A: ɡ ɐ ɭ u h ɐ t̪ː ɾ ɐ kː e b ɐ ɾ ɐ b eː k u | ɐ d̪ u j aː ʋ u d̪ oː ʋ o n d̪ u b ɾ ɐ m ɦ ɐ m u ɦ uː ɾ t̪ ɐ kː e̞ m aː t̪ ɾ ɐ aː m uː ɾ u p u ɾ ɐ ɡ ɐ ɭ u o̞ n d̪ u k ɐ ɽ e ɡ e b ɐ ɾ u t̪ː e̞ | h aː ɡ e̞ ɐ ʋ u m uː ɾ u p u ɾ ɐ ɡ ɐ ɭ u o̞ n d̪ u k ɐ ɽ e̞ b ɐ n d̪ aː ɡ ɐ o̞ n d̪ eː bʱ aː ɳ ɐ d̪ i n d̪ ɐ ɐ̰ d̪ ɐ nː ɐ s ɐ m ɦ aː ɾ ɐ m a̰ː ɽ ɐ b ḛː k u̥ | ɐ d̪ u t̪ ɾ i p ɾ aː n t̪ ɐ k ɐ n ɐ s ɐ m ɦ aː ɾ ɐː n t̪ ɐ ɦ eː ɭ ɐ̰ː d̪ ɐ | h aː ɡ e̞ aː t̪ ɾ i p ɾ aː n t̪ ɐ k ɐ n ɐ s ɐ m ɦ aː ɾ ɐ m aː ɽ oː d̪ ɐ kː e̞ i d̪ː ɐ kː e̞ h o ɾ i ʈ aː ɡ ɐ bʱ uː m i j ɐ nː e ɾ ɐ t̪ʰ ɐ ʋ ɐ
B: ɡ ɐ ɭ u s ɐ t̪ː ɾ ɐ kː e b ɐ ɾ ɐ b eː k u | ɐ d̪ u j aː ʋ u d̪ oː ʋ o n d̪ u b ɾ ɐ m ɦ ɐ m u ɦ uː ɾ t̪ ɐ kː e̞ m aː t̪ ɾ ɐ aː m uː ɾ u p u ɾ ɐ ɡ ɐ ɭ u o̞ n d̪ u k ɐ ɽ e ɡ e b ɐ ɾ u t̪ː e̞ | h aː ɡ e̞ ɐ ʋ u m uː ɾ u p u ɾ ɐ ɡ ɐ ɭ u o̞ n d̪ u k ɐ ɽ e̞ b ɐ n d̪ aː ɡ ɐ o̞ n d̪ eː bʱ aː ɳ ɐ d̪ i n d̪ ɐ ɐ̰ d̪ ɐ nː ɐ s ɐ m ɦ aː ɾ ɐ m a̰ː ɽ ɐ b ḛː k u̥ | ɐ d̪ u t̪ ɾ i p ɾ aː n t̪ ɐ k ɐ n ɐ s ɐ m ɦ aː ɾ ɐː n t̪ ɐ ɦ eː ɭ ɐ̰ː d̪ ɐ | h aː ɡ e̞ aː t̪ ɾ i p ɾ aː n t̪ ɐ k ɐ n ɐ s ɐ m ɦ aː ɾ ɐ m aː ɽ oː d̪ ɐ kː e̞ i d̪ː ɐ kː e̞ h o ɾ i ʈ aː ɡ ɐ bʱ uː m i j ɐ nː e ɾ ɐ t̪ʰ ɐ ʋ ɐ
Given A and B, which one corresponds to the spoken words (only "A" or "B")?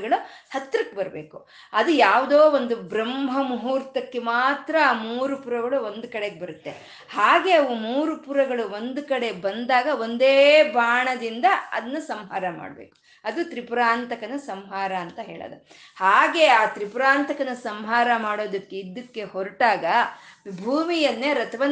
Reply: A